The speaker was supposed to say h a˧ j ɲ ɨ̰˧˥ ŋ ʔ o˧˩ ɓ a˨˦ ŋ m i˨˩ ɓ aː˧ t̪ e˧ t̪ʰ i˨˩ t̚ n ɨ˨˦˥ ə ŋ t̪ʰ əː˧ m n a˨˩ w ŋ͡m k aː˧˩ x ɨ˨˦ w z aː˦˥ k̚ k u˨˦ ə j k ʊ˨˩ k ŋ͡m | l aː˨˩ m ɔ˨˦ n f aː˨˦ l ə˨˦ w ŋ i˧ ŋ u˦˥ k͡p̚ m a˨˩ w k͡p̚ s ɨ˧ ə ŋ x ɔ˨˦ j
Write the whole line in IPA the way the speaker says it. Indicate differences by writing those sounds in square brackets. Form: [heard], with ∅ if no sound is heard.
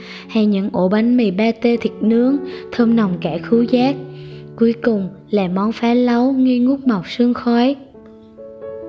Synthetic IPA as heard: h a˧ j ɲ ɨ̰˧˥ ŋ ʔ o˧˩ ɓ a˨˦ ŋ m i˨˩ ɓ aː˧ t̪ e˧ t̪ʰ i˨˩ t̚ n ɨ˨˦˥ ə ŋ t̪ʰ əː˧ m n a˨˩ w ŋ͡m k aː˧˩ x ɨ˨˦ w z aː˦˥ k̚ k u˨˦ ə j k ʊ˨˩ [∅] ŋ͡m | l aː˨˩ m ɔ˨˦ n f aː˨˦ l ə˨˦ w ŋ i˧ ŋ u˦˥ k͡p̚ m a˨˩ w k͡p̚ s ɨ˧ ə ŋ x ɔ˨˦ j